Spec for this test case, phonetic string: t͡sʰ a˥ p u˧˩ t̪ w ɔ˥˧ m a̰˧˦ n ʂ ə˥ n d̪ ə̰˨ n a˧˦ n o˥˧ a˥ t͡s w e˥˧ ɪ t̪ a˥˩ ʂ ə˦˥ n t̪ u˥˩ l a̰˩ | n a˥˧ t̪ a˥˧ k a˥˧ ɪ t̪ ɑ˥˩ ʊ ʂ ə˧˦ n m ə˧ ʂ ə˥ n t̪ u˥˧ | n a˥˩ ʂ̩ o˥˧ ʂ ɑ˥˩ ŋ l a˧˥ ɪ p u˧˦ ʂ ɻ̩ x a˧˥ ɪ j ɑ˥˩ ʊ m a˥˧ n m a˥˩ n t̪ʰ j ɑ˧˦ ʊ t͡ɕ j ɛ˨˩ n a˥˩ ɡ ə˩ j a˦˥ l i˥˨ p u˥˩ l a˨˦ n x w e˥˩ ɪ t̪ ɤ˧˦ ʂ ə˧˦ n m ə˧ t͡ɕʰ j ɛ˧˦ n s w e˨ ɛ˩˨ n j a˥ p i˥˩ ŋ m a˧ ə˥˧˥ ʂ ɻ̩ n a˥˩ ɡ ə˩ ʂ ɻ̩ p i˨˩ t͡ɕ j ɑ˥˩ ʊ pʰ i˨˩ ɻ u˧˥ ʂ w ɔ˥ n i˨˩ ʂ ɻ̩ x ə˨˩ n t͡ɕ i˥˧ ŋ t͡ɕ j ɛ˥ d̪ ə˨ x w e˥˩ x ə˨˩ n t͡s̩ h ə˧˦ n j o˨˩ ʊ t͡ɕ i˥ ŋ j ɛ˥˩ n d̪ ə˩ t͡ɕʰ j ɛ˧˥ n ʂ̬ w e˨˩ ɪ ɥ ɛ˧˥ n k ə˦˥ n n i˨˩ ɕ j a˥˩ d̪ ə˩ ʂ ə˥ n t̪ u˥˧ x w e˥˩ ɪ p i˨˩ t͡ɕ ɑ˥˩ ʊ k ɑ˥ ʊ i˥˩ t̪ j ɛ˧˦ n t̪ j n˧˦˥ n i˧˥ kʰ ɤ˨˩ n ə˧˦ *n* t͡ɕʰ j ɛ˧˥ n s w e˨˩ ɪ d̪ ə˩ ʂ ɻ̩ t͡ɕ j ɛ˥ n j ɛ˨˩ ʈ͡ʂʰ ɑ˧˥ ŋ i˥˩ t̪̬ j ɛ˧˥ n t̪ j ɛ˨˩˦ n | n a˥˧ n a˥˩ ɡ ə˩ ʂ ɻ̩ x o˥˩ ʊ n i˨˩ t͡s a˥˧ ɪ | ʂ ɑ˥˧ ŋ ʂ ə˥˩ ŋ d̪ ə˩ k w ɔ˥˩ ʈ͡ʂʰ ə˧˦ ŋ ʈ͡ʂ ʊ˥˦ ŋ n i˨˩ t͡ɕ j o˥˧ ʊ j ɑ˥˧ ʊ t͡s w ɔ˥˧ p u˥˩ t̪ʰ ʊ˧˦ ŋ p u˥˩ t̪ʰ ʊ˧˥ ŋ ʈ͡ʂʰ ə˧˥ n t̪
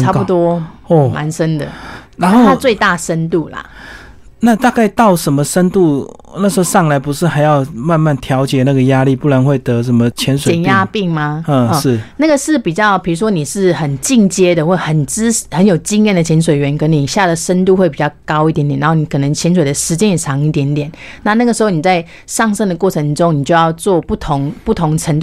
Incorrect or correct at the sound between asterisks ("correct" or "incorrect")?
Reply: incorrect